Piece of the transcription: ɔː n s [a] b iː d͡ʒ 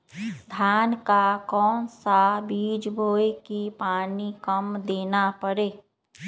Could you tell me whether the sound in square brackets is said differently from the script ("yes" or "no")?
no